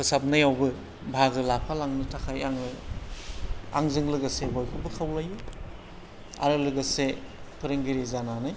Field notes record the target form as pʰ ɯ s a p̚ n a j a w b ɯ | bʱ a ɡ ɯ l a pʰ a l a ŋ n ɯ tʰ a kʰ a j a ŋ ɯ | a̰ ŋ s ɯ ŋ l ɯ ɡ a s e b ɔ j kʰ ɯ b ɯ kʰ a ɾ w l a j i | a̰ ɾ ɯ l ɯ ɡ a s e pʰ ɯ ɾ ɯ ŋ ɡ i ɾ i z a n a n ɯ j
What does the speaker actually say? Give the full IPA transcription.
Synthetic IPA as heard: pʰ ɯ s a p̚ n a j a w b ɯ | bʱ a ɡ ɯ l a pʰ a l a ŋ n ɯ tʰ a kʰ a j a ŋ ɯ | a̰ ŋ z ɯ ŋ l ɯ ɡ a s e b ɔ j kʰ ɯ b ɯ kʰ a w l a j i | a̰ ɾ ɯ l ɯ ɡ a s e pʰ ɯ ɾ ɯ ŋ ɡ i ɾ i z a n a n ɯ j